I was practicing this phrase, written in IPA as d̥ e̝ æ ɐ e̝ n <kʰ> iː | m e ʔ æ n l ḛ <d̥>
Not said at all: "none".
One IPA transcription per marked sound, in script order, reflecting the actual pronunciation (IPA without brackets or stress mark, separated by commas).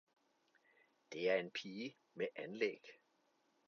pʰ, ɡ̥